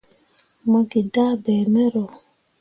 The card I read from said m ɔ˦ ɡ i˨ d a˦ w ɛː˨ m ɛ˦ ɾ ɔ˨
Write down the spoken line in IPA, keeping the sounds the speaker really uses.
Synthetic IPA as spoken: m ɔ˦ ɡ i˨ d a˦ b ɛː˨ m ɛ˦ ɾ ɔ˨